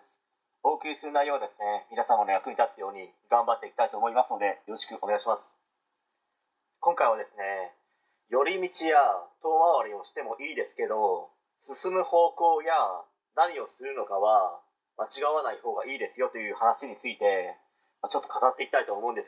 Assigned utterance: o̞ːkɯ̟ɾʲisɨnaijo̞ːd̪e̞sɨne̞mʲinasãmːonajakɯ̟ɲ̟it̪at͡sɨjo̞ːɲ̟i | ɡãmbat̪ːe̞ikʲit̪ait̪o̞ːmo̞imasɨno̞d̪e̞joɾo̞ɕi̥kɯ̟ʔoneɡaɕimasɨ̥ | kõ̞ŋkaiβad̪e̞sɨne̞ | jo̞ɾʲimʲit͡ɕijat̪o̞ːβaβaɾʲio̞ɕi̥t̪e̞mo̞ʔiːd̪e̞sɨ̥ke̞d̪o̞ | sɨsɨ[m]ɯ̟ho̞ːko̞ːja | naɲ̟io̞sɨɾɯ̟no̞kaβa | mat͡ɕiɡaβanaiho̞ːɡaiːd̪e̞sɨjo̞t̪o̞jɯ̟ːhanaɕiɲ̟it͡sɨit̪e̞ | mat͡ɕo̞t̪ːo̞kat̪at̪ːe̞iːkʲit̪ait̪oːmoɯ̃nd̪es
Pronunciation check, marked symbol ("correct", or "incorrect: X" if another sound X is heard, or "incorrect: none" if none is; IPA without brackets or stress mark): correct